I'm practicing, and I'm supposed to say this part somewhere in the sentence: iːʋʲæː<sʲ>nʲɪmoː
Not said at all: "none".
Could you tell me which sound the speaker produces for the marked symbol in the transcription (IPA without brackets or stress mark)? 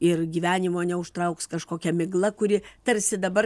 none